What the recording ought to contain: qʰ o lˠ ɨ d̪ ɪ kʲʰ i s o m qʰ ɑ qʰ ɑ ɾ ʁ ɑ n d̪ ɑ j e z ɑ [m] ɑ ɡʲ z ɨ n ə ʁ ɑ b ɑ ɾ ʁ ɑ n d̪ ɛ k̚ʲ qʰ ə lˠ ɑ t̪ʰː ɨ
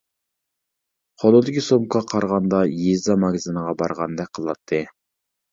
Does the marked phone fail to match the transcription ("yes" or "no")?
no